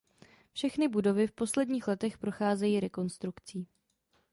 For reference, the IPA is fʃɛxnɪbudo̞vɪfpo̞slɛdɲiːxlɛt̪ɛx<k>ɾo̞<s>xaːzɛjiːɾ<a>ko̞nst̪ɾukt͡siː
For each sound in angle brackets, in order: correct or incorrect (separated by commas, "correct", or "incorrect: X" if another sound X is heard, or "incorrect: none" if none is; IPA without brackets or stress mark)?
incorrect: p, incorrect: none, incorrect: ɛ